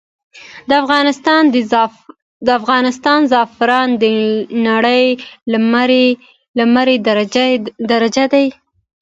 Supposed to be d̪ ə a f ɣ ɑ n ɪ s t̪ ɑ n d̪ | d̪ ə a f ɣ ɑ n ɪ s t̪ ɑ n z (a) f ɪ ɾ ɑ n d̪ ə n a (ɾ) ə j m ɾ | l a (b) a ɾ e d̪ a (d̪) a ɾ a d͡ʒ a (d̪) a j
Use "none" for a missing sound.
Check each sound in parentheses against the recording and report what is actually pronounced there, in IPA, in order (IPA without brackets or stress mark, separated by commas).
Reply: ɑ, ɽ, m, d̪, d̪